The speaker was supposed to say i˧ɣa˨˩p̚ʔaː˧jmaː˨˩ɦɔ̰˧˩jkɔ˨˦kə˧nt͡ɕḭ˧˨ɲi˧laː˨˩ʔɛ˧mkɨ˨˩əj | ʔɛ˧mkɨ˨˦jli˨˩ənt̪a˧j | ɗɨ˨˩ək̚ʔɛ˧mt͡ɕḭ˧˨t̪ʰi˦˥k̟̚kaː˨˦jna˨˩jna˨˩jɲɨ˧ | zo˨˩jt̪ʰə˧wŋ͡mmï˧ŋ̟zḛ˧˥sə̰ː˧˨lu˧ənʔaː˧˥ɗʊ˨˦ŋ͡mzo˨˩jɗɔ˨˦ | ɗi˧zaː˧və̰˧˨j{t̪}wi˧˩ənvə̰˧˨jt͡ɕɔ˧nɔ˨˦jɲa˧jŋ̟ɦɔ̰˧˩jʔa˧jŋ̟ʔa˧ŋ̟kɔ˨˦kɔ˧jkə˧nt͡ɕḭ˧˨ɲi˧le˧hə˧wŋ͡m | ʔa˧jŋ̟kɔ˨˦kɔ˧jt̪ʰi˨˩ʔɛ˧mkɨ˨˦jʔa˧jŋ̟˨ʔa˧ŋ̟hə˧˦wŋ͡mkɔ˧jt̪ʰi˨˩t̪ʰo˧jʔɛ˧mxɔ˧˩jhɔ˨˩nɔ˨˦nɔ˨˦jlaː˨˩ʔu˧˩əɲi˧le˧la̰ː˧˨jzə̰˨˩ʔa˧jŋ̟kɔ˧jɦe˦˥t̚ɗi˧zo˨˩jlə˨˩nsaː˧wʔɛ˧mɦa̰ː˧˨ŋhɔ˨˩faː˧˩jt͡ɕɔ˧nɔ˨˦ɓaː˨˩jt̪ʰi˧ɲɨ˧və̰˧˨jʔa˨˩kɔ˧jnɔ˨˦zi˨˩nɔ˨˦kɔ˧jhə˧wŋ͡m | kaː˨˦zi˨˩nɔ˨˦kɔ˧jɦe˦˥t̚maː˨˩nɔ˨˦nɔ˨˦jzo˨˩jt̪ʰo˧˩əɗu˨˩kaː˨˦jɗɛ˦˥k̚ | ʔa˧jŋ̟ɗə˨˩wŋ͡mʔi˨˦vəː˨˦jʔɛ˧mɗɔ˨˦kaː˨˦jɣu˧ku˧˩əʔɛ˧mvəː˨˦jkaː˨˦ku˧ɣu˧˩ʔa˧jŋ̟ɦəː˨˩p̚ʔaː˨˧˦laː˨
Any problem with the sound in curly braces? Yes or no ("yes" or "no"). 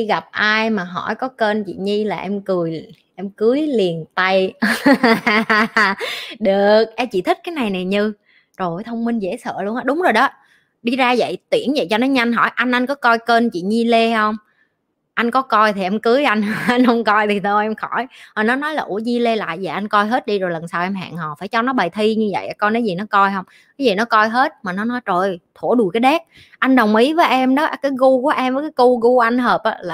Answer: no